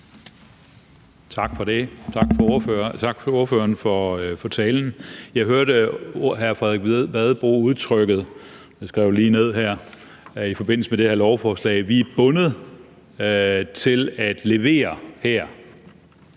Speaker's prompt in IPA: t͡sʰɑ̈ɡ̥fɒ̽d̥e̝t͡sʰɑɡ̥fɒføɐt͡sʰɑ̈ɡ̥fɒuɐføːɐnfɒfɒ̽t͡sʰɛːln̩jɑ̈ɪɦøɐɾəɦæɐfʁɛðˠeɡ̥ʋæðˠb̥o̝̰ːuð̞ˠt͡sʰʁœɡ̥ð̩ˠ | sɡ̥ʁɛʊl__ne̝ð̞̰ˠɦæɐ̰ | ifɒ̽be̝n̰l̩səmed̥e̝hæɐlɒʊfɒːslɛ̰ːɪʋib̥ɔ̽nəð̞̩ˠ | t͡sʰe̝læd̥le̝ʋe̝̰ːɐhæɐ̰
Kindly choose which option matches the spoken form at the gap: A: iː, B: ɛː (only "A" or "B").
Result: A